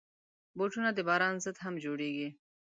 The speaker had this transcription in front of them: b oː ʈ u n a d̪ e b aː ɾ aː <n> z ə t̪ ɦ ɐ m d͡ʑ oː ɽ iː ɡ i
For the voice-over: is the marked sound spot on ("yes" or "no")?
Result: yes